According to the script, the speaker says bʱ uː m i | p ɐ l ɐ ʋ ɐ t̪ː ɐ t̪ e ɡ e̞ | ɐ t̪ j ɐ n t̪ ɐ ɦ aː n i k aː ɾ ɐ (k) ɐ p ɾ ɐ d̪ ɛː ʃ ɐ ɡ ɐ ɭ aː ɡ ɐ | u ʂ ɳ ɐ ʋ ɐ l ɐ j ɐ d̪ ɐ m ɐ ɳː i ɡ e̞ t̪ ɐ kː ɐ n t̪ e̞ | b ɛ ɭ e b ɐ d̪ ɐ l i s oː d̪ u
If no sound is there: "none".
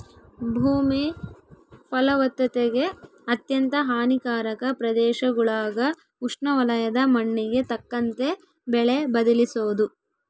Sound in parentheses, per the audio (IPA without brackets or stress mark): k